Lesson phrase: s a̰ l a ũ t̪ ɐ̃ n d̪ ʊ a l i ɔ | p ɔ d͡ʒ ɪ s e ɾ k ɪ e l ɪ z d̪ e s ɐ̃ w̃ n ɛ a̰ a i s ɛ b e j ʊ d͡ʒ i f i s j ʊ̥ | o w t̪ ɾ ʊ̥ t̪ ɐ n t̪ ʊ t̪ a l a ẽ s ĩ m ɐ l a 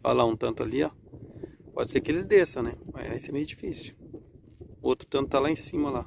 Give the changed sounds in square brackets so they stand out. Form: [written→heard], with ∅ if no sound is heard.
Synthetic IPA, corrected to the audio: [s→f] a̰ l a ũ t̪ ɐ̃ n [d̪→t̪] ʊ a l i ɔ | p ɔ d͡ʒ ɪ s e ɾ k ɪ e l ɪ z d̪ e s ɐ̃ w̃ n ɛ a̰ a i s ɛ [b→m] e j ʊ d͡ʒ i f i s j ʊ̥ | o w t̪ ɾ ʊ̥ t̪ [ɐ→ɐ̃] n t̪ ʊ t̪ a l a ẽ s ĩ m ɐ l a